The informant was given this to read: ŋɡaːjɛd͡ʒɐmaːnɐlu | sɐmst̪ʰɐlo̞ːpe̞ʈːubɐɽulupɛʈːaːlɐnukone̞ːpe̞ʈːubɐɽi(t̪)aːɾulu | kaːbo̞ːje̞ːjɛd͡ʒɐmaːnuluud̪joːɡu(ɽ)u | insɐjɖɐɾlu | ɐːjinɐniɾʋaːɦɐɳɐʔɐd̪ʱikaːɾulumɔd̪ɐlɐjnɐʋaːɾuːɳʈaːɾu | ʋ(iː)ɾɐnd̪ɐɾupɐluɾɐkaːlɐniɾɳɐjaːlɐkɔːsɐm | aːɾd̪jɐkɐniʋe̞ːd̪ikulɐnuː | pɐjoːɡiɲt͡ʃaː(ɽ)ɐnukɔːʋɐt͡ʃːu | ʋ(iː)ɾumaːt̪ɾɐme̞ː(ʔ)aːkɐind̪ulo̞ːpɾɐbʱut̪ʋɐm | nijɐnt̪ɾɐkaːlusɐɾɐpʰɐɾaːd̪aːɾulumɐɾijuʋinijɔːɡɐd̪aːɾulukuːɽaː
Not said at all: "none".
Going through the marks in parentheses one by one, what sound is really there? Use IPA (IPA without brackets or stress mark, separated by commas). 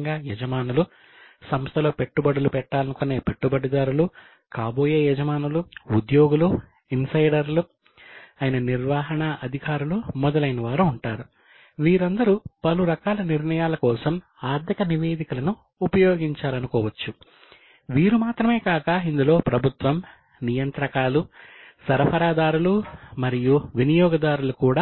d̪, l, iː, l, iː, k